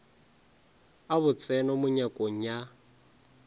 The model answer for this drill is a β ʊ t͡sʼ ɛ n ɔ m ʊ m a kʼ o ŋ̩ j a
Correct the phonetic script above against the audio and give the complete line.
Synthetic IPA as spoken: a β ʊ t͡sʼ ɛ n ɔ m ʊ ɲ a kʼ o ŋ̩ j a

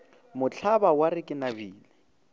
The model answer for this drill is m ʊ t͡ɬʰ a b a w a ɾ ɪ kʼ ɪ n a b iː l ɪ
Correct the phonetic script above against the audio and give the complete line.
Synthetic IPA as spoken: m ʊ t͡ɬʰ a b a w a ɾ ɪ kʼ ɪ n a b iː l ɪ

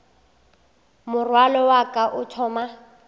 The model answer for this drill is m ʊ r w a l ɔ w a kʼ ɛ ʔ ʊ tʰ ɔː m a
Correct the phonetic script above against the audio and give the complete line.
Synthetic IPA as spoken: m ʊ r w a l ɔ w a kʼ a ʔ ʊ tʰ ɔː m a

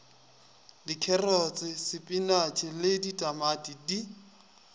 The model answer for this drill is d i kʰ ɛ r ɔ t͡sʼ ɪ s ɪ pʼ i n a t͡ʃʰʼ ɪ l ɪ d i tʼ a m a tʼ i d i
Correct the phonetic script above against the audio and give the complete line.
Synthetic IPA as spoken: d i kʰ ɛ r ɔ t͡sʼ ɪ s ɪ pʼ i n a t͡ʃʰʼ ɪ l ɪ d i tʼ a m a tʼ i d i

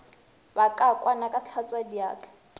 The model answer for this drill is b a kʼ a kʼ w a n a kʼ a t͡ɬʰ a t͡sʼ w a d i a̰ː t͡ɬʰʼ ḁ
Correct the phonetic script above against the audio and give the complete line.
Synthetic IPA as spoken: b a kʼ a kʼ w a n a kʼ a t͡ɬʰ a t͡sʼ w a d i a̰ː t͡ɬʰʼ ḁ

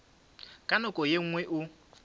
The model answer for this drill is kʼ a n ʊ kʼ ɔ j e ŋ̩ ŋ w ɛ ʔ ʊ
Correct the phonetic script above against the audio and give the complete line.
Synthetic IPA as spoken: kʼ a n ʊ kʼ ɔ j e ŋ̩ ŋ w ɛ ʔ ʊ

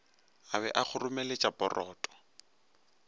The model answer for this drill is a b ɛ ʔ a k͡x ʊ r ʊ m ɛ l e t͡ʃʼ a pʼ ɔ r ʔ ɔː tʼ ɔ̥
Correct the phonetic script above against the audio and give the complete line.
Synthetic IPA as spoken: a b ɛ ʔ a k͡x ʊ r ʊ m ɛ l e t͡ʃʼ a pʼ ɔ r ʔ ɔː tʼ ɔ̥

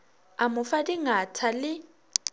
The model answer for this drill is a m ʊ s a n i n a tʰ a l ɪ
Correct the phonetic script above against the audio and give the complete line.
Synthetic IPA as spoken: a m ʊ f a d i ŋ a tʰ a l ɪ

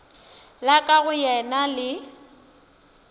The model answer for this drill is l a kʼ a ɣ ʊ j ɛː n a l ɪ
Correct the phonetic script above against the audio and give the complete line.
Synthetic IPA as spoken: l a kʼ a ɣ ʊ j ɛ n a l ɪ

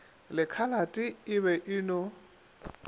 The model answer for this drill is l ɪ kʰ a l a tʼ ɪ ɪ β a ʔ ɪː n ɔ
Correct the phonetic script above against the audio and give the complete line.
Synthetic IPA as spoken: l ɪ kʰ a l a tʼ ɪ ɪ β ɛ ʔ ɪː n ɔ

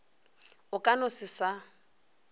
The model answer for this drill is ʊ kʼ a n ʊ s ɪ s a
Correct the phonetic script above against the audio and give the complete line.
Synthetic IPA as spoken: ʊ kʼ a n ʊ s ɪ s a

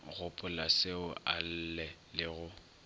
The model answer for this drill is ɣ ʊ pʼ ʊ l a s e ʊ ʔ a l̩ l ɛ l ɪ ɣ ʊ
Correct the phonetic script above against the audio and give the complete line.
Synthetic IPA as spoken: ɣ ʊ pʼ ʊ l a s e ʊ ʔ a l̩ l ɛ l ɪ ɣ ʊ

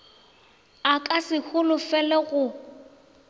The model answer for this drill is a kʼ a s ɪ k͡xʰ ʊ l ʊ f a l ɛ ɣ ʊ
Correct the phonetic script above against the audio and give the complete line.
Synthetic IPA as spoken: a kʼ a s ɪ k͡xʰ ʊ l ʊ f ɛ l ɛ ɣ ʊ

